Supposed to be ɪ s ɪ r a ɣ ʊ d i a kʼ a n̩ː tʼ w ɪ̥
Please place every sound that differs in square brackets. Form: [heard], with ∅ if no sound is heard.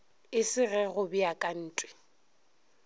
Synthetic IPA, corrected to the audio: ɪ s ɪ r [ɛ] ɣ ʊ [b] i a kʼ a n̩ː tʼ w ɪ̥